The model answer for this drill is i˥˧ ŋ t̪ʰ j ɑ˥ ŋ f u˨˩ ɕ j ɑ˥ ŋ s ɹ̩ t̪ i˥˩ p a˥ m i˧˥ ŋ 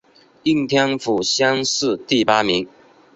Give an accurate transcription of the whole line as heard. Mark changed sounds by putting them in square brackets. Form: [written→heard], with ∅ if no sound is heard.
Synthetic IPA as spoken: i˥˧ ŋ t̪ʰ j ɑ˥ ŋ f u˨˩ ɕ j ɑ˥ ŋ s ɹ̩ t̪ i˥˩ p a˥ m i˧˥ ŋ